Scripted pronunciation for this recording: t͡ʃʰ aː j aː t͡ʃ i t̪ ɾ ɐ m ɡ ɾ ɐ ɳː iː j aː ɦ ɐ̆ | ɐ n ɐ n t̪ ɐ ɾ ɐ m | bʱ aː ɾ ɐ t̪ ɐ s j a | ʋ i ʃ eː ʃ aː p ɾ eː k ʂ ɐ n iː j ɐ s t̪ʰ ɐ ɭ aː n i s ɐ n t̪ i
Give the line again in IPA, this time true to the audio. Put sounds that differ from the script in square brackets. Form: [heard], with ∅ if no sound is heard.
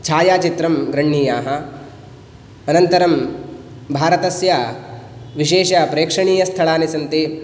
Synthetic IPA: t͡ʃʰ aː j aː t͡ʃ i t̪ ɾ ɐ m ɡ ɾ ɐ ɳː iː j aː ɦ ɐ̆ | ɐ n ɐ n t̪ ɐ ɾ ɐ m | bʱ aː ɾ ɐ t̪ ɐ s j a | ʋ i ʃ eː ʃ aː p ɾ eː k ʂ ɐ [ɳ] iː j ɐ s t̪ʰ ɐ ɭ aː n i s ɐ n t̪ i

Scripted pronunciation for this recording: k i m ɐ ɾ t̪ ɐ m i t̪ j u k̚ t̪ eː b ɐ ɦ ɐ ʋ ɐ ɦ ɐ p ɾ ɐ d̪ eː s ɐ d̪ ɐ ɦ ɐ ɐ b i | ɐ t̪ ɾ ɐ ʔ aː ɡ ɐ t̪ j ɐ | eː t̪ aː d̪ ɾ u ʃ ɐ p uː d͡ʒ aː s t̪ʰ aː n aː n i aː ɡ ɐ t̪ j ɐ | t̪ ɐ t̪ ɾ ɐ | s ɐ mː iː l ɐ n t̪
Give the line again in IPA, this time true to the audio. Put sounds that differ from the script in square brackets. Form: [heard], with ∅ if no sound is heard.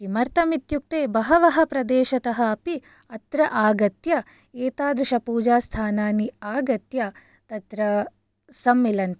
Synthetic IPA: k i m ɐ ɾ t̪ ɐ m i t̪ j u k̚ t̪ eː b ɐ ɦ ɐ ʋ ɐ ɦ ɐ p ɾ ɐ d̪ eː [ʃ] ɐ [t̪] ɐ ɦ ɐ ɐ [p] i | ɐ t̪ ɾ ɐ ʔ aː ɡ ɐ t̪ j ɐ | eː t̪ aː d̪ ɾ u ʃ ɐ p uː d͡ʒ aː s t̪ʰ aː n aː n i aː ɡ ɐ t̪ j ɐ | t̪ ɐ t̪ ɾ ɐ | s ɐ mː [i] l ɐ n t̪

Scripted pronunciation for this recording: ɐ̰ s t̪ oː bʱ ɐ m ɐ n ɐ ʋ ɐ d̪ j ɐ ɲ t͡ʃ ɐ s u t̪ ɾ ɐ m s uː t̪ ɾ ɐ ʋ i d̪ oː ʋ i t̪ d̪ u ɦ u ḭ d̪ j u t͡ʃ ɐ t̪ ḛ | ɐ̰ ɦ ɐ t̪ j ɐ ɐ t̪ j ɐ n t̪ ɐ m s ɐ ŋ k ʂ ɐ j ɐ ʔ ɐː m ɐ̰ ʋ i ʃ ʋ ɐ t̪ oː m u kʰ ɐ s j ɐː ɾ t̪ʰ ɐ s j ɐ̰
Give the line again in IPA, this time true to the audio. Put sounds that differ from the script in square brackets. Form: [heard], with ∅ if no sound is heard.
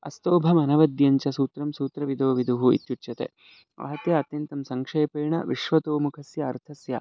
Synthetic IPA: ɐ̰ s t̪ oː bʱ ɐ m ɐ n ɐ ʋ ɐ d̪ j ɐ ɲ t͡ʃ ɐ s [uː] t̪ ɾ ɐ m s uː t̪ ɾ ɐ ʋ i d̪ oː ʋ i [∅] d̪ u ɦ u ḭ [t̪] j u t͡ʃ ɐ t̪ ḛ | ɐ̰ ɦ ɐ t̪ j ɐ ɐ t̪ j ɐ n t̪ ɐ m s ɐ ŋ k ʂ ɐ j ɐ [p] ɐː [ɳ] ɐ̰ ʋ i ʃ ʋ ɐ t̪ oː m u kʰ ɐ s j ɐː ɾ t̪ʰ ɐ s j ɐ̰

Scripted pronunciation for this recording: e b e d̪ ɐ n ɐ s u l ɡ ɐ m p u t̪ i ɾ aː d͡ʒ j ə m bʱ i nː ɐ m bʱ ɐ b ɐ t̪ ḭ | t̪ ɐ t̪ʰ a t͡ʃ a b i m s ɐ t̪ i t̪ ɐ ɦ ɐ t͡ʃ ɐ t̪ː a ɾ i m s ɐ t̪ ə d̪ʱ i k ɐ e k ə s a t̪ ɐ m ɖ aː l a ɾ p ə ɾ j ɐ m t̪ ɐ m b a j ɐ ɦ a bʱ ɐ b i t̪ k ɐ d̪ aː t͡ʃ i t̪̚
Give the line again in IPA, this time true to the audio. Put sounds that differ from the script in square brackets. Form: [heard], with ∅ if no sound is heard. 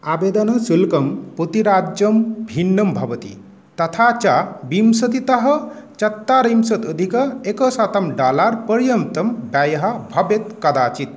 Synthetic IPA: [a] b e d̪ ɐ n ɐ s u l [k] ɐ m p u t̪ i ɾ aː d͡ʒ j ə m bʱ i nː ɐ m bʱ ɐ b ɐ t̪ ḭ | t̪ ɐ t̪ʰ a t͡ʃ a b i m s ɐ t̪ i t̪ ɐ ɦ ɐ t͡ʃ ɐ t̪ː a ɾ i m s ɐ t̪ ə d̪ʱ i k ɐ e k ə s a t̪ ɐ m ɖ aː l a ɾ p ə ɾ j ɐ m t̪ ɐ m b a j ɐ ɦ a bʱ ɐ b [e] t̪ k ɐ d̪ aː t͡ʃ i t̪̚

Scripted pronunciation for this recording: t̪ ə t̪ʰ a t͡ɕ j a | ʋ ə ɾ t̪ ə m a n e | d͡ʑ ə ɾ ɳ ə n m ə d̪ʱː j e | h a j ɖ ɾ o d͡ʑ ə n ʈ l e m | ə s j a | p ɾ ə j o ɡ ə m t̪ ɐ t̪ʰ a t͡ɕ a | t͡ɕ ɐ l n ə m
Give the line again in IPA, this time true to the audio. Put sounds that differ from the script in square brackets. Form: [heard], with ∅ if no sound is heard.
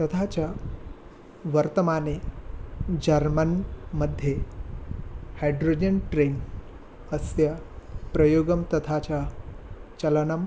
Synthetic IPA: t̪ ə t̪ʰ a t͡ɕ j a | ʋ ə ɾ t̪ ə m a n e | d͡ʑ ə ɾ [m] ə n m ə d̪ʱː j e | h a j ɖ ɾ o d͡ʑ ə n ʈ [ɾ] e [n] | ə s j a | p ɾ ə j o ɡ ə m t̪ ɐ t̪ʰ a t͡ɕ a | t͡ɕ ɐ l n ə m

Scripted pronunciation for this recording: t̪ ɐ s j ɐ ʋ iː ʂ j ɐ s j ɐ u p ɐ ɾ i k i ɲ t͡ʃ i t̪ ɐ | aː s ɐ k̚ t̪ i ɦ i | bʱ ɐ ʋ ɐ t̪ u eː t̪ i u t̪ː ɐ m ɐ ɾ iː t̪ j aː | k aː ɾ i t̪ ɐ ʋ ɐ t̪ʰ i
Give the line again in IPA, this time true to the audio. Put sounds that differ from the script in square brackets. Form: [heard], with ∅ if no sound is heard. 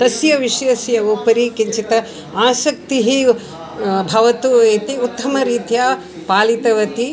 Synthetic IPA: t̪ ɐ s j ɐ ʋ [i] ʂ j ɐ s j ɐ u p ɐ ɾ i k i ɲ t͡ʃ i t̪ ɐ | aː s ɐ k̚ t̪ i ɦ i | bʱ ɐ ʋ ɐ t̪ u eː t̪ i u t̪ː ɐ m ɐ ɾ iː t̪ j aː | [p] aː [l] i t̪ ɐ ʋ ɐ [t̪] i

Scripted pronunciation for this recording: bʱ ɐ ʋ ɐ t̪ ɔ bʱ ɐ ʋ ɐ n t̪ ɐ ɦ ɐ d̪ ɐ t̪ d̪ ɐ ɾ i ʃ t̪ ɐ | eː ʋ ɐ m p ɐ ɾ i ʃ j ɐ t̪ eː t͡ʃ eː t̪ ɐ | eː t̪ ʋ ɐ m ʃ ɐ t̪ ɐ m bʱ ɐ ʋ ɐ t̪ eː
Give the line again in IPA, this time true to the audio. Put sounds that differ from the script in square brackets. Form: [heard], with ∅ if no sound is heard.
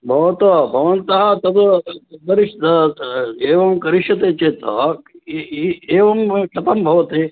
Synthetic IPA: bʱ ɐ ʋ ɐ t̪ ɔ bʱ ɐ ʋ ɐ n t̪ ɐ ɦ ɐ [t̪] ɐ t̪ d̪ ɐ ɾ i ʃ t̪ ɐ | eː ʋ ɐ m [k] ɐ ɾ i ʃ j ɐ t̪ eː t͡ʃ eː t̪ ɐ | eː [∅] ʋ ɐ m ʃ ɐ t̪ ɐ m bʱ ɐ ʋ ɐ t̪ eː

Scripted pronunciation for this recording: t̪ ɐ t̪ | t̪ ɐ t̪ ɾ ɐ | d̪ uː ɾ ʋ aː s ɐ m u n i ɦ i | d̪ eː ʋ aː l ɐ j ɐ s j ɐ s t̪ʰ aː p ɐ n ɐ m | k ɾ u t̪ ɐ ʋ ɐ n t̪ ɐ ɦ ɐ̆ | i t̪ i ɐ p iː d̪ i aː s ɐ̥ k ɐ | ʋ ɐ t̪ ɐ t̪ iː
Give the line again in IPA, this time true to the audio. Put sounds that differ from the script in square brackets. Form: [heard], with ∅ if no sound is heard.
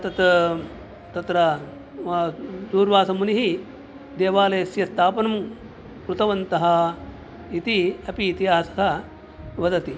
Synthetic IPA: t̪ ɐ t̪ | t̪ ɐ t̪ ɾ ɐ | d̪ uː ɾ ʋ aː s ɐ m u n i ɦ i | d̪ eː ʋ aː l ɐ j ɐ s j ɐ s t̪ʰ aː p ɐ n ɐ m | k ɾ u t̪ ɐ ʋ ɐ n t̪ ɐ ɦ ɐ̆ | i t̪ i ɐ p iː [t̪] i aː s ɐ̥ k ɐ | ʋ ɐ [d̪] ɐ t̪ [i]

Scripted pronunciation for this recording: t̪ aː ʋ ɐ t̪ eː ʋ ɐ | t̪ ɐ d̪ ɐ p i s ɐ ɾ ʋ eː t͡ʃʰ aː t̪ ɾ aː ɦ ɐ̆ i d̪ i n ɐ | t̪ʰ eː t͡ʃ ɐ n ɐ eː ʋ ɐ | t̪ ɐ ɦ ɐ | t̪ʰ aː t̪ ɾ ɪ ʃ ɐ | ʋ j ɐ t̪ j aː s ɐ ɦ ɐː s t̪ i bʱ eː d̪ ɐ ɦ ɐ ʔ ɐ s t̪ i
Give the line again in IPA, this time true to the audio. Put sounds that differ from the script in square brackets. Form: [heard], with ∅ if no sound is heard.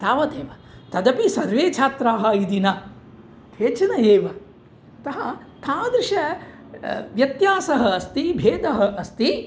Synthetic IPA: t̪ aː ʋ ɐ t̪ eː ʋ ɐ | t̪ ɐ d̪ ɐ p i s ɐ ɾ ʋ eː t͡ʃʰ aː t̪ ɾ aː ɦ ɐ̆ i d̪ i n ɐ | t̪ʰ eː t͡ʃ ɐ n ɐ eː ʋ ɐ | t̪ ɐ ɦ ɐ | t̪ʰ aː [d̪] ɾ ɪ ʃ ɐ | ʋ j ɐ t̪ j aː s ɐ ɦ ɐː s t̪ i bʱ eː d̪ ɐ ɦ ɐ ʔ ɐ s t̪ i

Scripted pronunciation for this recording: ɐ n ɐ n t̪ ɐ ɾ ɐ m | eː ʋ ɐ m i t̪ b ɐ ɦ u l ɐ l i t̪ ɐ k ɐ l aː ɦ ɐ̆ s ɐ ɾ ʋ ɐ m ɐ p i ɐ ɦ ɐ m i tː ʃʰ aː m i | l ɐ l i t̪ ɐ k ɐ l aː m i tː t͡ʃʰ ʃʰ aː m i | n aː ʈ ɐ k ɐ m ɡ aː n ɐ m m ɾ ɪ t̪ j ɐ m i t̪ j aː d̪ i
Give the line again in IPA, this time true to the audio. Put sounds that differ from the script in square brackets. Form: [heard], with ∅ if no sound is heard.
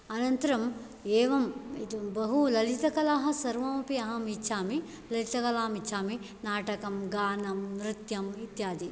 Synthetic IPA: ɐ n ɐ n t̪ ɐ ɾ ɐ m | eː ʋ ɐ m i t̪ b ɐ ɦ u l ɐ l i t̪ ɐ k ɐ l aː ɦ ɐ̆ s ɐ ɾ ʋ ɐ m ɐ p i ɐ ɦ ɐ m i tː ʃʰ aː m i | l ɐ l i t̪ ɐ k ɐ l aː m i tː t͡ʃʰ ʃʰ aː m i | n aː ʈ ɐ k ɐ m ɡ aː n ɐ m [n] ɾ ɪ t̪ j ɐ m i t̪ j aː d̪ i

